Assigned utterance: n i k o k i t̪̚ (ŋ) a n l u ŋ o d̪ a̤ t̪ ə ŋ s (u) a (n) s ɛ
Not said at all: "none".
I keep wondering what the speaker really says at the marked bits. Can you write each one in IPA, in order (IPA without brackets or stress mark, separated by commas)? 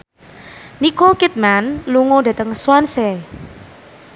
m, w, n